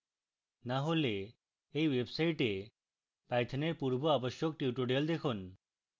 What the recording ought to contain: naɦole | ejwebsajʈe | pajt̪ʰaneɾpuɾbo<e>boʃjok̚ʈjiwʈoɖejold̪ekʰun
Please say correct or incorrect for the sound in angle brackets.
incorrect